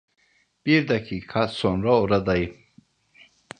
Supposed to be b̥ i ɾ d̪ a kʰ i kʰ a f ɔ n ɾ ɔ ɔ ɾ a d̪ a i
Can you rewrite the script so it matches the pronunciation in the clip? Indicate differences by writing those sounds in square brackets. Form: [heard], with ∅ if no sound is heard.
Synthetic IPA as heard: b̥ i ɾ d̪ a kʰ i kʰ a [s] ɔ n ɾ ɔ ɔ ɾ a d̪ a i

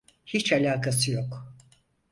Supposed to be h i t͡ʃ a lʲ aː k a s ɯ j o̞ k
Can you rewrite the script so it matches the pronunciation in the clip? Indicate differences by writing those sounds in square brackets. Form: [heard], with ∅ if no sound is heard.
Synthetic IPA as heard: h i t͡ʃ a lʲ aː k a s ɯ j o̞ k

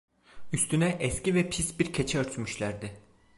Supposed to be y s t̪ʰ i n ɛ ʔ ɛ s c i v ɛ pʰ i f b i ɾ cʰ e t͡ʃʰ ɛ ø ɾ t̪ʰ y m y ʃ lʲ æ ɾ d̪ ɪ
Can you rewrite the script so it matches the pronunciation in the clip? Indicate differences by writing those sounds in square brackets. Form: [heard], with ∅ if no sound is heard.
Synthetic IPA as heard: y s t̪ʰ [y] n ɛ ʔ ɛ s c i v ɛ pʰ i [s] b i ɾ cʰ e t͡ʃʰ ɛ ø ɾ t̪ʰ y m y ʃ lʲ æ ɾ d̪ ɪ

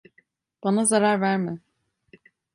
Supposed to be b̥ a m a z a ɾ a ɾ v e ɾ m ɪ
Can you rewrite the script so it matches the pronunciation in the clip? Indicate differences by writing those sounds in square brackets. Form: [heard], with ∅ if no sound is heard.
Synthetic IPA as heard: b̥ a [n] a z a ɾ a ɾ v [æ] ɾ m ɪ

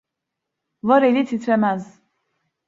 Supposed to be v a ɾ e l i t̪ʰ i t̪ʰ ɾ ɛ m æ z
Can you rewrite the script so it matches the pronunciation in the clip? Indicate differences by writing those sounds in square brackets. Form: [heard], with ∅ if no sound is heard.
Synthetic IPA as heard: v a ɾ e l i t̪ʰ i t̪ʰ ɾ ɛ m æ z

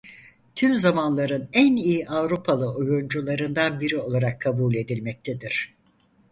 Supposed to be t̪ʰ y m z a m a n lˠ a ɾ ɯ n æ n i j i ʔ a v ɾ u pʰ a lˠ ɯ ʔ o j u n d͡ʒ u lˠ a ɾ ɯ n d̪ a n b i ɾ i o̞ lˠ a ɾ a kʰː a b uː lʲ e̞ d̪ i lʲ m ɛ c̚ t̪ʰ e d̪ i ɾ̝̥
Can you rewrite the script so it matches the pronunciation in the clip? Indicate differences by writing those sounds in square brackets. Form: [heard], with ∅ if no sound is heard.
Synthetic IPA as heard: t̪ʰ y m z a m a n lˠ a ɾ ɯ n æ n i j i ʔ a v ɾ u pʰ a lˠ ɯ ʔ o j u n d͡ʒ u lˠ a ɾ ɯ n d̪ a n b i ɾ i o̞ lˠ a ɾ a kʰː a b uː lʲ e̞ d̪ i lʲ m ɛ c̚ t̪ʰ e d̪ i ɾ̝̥

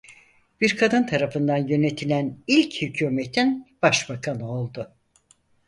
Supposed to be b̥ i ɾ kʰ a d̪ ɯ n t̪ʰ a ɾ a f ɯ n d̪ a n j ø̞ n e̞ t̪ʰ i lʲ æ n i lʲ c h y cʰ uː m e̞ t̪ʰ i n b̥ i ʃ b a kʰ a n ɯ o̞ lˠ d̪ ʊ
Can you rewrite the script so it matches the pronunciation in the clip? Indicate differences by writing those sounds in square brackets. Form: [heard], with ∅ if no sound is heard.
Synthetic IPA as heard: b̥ i ɾ kʰ a d̪ ɯ n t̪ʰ a ɾ a f ɯ n d̪ a n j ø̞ n e̞ t̪ʰ i lʲ æ n i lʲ c h y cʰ uː m e̞ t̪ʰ i n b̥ [a] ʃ b a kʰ a n ɯ o̞ lˠ d̪ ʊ

